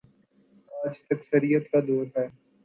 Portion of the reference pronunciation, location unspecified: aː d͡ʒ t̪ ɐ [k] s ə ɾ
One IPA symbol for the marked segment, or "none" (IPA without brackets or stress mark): k